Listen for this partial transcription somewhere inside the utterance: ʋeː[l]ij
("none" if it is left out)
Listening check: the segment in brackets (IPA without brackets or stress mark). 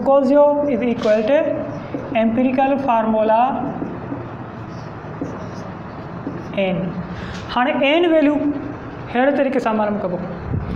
l